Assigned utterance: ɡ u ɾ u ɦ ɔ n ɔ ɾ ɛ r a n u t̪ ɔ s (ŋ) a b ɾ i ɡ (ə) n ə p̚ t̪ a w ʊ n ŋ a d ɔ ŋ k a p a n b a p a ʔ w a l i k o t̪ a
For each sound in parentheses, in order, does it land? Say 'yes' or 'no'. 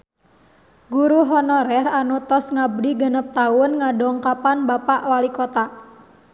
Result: yes, yes

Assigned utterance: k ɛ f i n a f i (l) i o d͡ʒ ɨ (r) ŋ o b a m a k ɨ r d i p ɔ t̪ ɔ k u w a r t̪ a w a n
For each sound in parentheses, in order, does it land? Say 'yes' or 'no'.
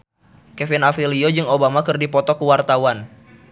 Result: yes, no

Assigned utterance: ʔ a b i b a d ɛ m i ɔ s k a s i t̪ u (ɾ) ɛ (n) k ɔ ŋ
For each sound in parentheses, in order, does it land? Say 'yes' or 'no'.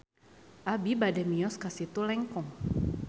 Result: no, no

